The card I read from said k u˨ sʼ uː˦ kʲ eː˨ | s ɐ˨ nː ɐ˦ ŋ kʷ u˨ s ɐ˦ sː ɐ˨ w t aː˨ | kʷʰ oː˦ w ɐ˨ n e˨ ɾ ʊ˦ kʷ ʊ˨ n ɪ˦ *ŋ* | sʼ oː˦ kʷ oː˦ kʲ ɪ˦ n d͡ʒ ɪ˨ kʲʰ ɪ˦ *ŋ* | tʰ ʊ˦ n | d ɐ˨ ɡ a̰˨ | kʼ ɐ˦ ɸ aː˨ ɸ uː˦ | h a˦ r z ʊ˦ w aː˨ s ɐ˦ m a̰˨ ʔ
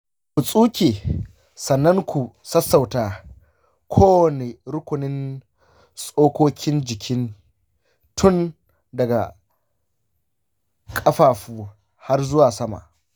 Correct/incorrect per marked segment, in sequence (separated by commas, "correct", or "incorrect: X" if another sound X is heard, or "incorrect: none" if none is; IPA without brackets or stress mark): incorrect: n, incorrect: n